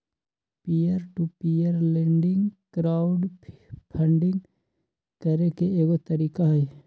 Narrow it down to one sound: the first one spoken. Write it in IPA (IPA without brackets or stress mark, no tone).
p